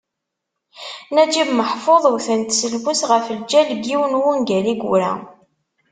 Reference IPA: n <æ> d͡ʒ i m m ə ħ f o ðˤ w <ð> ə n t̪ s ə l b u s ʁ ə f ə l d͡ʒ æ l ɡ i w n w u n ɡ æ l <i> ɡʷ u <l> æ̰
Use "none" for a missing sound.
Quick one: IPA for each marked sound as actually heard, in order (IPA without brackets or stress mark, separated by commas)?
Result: æ, θ, i, ɾ